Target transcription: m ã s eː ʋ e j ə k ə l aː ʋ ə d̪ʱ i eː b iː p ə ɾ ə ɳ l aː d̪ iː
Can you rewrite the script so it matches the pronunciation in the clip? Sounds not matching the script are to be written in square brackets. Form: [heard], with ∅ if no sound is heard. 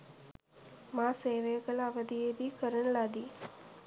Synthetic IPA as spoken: m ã s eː ʋ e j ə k ə l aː ʋ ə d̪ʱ i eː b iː [k] ə ɾ ə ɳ l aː d̪ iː